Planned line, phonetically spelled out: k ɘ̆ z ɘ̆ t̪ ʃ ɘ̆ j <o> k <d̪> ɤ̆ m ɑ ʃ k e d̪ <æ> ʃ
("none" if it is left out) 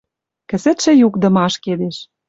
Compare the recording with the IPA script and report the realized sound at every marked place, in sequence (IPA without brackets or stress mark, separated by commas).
u, d̪, e